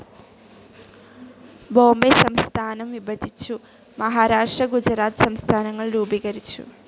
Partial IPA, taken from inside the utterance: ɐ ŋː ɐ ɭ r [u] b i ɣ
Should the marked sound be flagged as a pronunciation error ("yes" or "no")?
yes